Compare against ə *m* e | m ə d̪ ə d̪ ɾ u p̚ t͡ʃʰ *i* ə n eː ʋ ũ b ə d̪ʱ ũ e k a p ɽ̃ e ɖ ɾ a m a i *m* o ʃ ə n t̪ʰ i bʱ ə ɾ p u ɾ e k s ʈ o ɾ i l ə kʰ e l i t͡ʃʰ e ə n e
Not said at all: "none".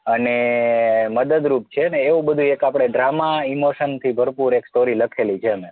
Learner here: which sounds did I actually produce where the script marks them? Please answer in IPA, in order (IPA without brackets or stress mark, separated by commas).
n, e, m